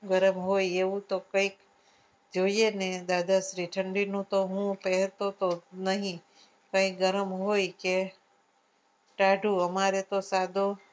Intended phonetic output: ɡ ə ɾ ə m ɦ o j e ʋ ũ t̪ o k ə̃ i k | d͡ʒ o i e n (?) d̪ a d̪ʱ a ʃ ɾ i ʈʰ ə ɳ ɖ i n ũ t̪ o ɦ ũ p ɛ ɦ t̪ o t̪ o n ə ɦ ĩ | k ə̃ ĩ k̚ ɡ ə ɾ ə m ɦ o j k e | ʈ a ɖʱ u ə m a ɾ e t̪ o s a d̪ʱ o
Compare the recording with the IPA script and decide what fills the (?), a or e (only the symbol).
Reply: e